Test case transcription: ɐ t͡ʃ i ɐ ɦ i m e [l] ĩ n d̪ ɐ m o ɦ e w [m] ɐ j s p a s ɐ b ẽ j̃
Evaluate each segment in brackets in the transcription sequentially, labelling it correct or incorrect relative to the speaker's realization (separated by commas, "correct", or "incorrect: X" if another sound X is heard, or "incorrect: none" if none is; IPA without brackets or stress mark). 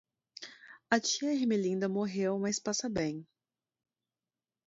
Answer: correct, correct